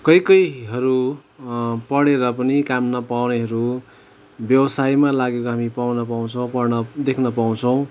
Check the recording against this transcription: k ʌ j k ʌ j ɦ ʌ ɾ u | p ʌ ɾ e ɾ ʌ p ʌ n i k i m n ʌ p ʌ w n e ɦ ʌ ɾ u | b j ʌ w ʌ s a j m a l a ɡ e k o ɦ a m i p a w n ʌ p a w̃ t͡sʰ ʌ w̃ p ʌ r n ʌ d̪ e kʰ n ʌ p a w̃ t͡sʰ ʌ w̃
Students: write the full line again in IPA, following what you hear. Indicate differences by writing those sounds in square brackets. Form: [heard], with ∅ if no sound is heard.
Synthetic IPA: k ʌ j k ʌ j ɦ ʌ ɾ u | p ʌ [ɽ] e ɾ ʌ p ʌ n i k [a] m n ʌ p [a] w n e ɦ ʌ ɾ u | b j ʌ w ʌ s a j m a l a ɡ e k o ɦ a m i p a w n ʌ p a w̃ t͡sʰ ʌ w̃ p ʌ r n ʌ d̪ e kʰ n ʌ p a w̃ t͡sʰ ʌ w̃